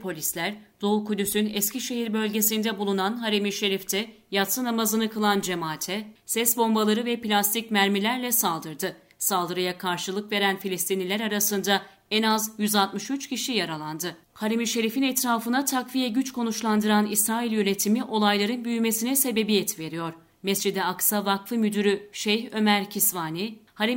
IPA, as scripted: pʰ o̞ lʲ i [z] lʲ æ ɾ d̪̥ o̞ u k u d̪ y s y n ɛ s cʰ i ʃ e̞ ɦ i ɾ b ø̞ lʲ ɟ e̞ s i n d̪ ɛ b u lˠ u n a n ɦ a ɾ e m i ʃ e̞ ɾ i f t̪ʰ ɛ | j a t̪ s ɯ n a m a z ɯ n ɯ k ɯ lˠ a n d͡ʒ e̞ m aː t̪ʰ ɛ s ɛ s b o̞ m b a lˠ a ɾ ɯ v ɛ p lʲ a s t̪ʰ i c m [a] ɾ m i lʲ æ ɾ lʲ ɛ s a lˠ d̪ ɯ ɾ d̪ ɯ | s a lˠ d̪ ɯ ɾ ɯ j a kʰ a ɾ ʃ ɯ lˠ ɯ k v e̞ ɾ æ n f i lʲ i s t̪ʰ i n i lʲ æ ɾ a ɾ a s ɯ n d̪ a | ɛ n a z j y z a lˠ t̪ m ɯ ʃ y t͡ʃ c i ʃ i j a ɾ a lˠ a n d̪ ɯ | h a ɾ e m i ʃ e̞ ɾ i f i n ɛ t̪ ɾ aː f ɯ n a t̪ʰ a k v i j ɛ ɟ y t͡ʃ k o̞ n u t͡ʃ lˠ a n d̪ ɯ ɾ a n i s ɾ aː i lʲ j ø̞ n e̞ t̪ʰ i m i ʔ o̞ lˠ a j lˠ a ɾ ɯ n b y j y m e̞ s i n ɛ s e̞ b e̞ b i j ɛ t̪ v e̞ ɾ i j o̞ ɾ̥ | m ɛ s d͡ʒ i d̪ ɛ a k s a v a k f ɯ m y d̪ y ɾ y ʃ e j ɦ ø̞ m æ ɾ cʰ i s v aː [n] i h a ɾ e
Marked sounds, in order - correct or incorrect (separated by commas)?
incorrect, incorrect, correct